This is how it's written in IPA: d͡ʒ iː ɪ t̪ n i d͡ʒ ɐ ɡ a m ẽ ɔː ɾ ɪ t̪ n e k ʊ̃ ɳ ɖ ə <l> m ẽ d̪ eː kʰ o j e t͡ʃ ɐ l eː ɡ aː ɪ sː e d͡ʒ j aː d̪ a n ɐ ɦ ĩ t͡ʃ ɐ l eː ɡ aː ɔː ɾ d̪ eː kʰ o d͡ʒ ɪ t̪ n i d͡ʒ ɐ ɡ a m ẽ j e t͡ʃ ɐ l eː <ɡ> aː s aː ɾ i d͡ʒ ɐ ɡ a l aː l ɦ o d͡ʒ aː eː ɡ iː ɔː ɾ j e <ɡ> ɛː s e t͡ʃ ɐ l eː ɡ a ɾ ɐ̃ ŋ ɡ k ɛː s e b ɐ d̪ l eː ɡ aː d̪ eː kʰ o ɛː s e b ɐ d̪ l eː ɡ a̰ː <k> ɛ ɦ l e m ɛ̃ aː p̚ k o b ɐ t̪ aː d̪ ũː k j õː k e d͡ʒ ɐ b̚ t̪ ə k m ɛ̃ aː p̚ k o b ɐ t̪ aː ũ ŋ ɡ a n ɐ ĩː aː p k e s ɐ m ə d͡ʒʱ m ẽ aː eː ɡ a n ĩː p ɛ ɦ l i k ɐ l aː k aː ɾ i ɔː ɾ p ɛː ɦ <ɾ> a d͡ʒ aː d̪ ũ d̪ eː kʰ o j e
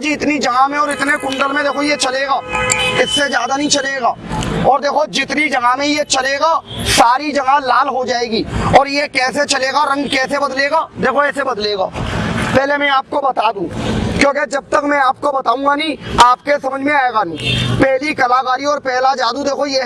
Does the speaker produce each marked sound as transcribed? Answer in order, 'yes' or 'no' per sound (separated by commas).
yes, yes, no, no, no